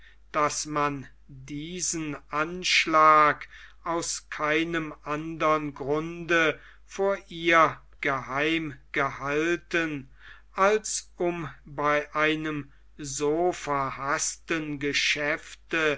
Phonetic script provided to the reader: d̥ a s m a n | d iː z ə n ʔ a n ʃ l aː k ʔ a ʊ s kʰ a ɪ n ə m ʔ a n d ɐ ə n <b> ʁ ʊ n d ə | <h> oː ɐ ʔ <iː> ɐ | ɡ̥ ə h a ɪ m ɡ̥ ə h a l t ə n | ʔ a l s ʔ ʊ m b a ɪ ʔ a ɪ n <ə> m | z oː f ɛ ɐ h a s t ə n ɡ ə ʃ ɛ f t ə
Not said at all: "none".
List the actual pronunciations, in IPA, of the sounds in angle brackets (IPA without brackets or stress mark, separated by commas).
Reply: ɡ, f, iː, ə